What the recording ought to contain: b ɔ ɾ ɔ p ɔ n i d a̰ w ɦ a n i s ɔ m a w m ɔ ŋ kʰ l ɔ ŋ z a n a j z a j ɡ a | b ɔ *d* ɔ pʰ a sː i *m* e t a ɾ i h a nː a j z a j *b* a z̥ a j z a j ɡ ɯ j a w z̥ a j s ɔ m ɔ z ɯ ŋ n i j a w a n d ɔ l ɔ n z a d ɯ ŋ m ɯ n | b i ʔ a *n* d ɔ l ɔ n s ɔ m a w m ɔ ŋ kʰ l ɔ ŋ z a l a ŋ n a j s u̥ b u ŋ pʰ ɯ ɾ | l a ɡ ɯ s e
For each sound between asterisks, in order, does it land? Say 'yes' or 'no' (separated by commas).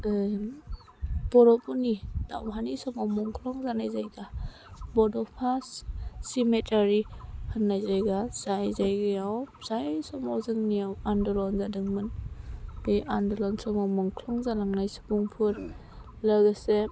yes, yes, no, yes